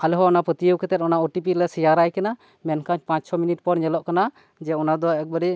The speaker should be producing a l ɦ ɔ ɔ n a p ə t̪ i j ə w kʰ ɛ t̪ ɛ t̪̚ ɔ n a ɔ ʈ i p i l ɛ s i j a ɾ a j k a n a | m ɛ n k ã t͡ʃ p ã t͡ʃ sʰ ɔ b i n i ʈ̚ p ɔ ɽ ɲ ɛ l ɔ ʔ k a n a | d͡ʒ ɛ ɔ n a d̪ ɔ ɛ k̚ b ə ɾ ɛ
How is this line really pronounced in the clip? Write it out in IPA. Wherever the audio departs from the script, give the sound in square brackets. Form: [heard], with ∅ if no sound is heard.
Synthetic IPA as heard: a l ɦ ɔ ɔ n a p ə t̪ i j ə w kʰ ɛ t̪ ɛ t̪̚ ɔ n a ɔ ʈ i p i l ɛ s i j a ɾ a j k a n a | m ɛ n k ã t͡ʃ p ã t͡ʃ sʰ ɔ [m] i n i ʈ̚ p ɔ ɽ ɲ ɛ l ɔ ʔ k a n a | d͡ʒ ɛ ɔ n a d̪ ɔ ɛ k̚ b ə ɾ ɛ